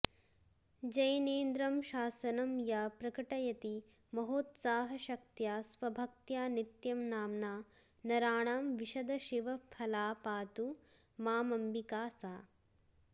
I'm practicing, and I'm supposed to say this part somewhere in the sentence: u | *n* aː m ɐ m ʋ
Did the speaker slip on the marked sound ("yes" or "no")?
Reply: yes